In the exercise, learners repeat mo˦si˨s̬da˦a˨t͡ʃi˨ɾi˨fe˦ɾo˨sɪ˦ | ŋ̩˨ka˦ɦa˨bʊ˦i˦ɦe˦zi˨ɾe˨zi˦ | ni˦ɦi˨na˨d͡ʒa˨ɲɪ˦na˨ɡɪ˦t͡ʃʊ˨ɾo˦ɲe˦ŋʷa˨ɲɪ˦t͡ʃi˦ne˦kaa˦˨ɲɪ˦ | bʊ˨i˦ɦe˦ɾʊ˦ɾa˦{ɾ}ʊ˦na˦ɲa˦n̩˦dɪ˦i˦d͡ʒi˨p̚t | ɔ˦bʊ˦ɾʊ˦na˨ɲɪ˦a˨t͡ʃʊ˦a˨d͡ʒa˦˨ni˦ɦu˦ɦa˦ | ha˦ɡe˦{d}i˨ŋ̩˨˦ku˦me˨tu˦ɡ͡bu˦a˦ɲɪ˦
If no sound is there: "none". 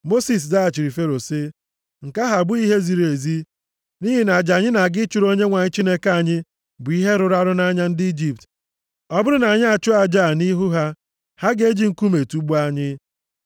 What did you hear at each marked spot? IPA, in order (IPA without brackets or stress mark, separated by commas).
ɾ, d͡ʒ